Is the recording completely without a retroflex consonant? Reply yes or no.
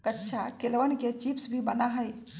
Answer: yes